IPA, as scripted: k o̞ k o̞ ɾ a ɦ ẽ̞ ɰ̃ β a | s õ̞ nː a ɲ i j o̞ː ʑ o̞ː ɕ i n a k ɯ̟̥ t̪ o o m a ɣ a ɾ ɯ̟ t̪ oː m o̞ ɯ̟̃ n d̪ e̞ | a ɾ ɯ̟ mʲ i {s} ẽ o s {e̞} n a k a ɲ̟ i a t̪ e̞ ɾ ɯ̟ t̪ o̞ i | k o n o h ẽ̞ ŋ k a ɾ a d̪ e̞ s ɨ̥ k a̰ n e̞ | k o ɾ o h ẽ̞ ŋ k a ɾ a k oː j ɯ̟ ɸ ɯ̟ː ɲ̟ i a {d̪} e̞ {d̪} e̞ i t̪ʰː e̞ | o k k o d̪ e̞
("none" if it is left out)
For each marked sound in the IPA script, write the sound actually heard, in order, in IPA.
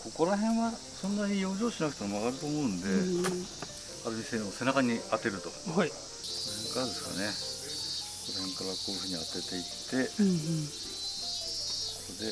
s, e̞, t̪, t̪

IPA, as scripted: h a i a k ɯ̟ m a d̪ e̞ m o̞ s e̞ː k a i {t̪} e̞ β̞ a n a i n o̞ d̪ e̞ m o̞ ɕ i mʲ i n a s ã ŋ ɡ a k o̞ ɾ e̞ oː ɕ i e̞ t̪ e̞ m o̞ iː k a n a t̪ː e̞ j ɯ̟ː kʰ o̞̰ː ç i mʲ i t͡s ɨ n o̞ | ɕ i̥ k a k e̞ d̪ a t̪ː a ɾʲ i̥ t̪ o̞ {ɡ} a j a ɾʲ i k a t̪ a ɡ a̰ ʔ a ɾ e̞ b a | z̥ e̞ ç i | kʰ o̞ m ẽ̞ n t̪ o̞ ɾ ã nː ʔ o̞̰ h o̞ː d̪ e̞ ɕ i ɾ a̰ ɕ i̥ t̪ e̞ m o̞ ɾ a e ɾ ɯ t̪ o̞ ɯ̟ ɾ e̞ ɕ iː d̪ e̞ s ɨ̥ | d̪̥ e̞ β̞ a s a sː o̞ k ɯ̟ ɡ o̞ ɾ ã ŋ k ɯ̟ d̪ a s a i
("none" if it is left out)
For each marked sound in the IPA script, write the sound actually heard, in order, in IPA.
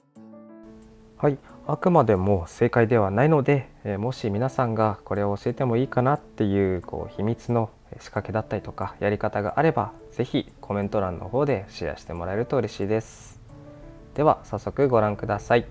d̪, k

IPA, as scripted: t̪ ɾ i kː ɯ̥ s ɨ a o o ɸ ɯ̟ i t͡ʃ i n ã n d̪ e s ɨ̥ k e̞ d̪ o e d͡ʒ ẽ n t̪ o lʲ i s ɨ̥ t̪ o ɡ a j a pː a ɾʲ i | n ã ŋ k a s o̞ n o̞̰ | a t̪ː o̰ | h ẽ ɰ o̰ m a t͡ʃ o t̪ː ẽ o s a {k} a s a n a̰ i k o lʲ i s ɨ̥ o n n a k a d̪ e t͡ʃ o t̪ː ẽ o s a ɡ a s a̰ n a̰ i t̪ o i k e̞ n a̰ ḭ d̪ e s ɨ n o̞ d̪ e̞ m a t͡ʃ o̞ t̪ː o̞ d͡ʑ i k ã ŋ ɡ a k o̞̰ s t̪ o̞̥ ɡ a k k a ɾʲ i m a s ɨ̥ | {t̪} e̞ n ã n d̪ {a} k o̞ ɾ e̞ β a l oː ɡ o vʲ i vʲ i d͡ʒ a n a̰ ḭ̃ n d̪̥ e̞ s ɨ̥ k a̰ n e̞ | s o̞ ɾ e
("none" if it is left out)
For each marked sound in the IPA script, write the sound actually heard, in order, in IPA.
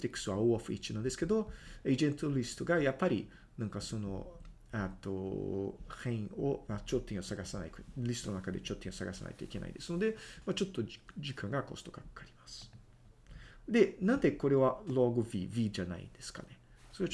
ɡ, d̪, e

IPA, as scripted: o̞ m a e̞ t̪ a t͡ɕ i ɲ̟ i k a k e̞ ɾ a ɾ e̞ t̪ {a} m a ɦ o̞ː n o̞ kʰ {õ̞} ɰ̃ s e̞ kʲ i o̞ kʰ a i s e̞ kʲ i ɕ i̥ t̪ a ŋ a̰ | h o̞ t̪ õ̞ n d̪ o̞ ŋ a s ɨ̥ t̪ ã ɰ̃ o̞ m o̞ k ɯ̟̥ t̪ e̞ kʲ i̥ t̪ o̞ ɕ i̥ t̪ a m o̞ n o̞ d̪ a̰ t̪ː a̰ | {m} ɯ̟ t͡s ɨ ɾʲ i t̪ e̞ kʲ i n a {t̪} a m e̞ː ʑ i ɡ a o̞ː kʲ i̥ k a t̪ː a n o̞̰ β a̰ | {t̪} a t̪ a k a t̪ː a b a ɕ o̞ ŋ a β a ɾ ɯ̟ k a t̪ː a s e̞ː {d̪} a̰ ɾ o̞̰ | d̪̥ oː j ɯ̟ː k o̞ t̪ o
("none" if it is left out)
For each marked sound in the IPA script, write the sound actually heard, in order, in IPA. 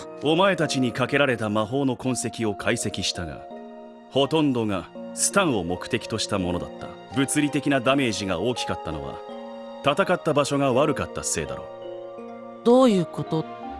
a, õ̞, b, d̪, t̪, d̪

